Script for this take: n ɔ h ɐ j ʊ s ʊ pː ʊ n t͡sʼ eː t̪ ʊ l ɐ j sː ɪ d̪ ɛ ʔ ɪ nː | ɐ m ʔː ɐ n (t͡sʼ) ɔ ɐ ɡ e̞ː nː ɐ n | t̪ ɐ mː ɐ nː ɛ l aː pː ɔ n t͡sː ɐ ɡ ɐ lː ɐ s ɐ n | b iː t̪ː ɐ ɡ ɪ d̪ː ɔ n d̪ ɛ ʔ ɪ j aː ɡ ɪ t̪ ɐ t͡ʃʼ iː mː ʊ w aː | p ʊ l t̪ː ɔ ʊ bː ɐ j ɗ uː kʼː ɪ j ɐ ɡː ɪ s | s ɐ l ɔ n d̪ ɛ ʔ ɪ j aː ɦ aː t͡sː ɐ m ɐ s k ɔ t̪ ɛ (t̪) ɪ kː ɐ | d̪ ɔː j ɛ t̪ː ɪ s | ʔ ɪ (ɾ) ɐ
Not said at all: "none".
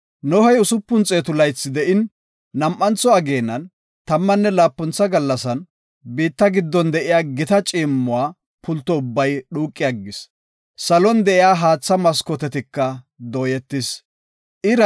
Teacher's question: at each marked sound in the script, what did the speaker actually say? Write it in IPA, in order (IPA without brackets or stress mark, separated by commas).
t͡s, t̪, ɾ